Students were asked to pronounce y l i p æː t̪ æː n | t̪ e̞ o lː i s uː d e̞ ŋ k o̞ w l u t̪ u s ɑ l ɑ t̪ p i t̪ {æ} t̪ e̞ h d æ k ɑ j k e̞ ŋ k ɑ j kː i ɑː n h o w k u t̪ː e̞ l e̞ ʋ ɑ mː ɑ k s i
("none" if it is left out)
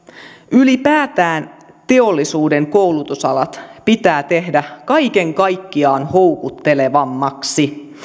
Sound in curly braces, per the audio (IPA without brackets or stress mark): æː